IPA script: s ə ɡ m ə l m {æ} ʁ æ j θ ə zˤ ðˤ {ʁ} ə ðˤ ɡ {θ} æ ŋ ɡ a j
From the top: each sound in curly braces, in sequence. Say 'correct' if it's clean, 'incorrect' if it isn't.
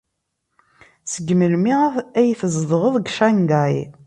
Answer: incorrect: i, correct, incorrect: ʃ

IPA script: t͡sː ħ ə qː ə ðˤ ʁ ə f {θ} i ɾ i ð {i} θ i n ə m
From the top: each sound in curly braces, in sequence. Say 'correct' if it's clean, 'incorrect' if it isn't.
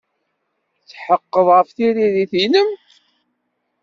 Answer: correct, correct

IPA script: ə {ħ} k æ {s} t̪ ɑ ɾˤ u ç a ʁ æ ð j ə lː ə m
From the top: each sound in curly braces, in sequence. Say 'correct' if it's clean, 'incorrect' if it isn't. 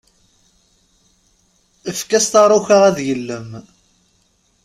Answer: incorrect: f, correct

